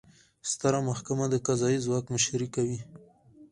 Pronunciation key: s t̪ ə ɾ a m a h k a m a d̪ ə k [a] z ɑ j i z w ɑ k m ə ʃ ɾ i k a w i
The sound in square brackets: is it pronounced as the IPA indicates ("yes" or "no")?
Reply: yes